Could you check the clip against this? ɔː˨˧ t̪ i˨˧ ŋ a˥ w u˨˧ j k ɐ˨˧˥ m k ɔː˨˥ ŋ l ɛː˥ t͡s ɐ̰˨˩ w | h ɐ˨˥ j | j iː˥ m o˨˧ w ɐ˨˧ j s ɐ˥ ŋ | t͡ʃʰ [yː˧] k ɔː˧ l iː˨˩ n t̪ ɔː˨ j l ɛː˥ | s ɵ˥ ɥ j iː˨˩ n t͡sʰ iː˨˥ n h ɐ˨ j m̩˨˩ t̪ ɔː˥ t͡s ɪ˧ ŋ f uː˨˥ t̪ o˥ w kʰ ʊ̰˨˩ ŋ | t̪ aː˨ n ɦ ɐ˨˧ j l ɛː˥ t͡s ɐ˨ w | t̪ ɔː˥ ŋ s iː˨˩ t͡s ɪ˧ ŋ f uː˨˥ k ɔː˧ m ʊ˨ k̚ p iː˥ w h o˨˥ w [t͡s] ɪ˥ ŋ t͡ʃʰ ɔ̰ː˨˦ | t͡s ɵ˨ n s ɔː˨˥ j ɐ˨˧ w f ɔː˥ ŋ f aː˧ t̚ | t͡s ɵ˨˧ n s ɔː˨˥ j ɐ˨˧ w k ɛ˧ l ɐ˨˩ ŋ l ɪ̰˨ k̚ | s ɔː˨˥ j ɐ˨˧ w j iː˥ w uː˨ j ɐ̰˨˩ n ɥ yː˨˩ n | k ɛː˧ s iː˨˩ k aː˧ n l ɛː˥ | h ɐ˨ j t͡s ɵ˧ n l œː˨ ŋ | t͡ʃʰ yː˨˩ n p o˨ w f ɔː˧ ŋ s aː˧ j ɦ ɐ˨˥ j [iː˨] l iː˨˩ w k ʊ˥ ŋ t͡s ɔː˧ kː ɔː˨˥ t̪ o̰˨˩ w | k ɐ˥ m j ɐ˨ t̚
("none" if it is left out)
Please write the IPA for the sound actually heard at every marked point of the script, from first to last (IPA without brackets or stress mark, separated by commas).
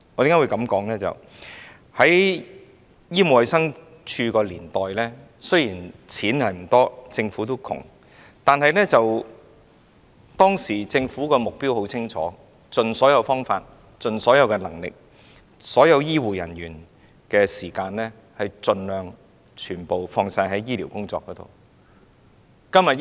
yː˧, t͡sʰ, iː˥